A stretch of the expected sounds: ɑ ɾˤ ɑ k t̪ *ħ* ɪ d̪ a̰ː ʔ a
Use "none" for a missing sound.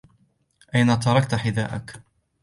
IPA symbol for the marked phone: ħ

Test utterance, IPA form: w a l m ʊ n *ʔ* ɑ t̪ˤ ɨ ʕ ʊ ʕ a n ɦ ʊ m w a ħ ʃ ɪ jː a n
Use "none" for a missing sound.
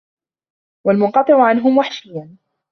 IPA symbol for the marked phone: q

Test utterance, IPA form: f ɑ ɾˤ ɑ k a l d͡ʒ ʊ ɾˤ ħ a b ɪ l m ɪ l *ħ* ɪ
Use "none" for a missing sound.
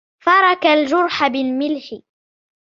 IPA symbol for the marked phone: ħ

